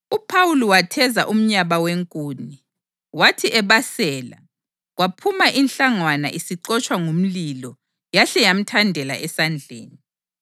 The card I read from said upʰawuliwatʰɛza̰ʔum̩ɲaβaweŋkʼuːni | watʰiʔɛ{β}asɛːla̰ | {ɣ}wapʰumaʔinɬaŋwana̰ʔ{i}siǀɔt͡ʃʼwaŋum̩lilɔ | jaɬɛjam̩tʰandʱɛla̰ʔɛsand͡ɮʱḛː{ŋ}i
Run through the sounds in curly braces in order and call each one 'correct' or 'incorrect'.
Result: correct, correct, correct, incorrect

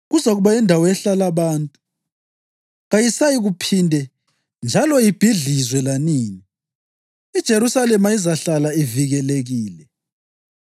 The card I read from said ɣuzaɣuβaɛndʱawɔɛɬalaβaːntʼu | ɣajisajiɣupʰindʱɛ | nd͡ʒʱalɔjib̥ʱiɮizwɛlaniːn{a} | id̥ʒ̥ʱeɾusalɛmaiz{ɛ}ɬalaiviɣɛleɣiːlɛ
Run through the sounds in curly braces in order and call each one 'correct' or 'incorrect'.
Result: incorrect, incorrect

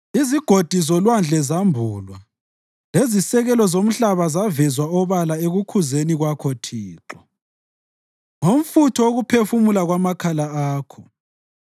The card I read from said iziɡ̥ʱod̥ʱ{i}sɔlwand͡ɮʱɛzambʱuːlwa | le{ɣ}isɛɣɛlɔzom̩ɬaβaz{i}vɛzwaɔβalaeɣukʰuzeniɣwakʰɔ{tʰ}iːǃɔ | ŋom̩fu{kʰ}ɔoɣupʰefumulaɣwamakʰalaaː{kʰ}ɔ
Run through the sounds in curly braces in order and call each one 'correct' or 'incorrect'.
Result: correct, incorrect, incorrect, correct, incorrect, correct

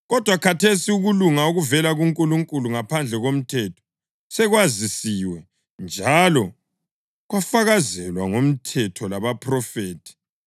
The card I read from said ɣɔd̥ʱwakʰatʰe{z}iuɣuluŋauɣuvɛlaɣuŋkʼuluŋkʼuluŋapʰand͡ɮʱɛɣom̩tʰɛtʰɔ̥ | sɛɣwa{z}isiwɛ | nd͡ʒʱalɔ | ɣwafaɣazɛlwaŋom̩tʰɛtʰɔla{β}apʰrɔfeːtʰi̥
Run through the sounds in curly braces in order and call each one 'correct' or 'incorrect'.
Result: incorrect, correct, correct

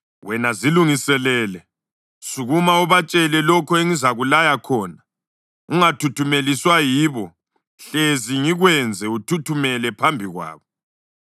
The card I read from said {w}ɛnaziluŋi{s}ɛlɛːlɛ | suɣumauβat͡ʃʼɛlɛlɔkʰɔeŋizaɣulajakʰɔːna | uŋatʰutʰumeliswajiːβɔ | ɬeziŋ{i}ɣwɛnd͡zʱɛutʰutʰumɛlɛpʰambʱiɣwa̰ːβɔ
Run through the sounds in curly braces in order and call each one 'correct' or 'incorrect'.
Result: correct, correct, correct

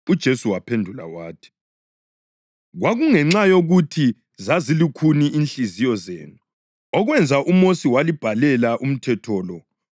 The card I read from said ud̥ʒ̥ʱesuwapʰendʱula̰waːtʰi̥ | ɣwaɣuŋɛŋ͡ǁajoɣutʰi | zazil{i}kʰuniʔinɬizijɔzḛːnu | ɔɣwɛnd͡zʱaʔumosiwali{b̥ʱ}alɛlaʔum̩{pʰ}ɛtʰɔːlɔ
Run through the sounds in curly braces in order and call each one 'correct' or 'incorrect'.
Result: correct, correct, incorrect

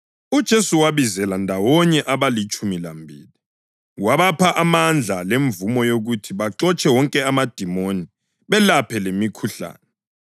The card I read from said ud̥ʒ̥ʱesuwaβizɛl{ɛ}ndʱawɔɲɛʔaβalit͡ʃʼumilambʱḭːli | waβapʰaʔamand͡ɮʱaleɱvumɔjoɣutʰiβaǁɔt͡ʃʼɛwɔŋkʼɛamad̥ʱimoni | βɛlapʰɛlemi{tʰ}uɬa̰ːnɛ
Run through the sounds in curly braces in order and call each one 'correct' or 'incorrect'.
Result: incorrect, incorrect

